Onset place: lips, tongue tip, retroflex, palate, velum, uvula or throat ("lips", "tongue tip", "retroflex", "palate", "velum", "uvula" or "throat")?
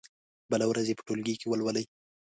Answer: lips